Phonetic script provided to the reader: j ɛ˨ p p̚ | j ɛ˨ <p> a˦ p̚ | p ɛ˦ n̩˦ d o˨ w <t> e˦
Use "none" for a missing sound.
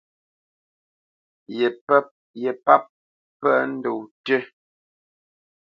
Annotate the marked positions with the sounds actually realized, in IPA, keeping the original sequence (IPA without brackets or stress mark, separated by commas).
p, t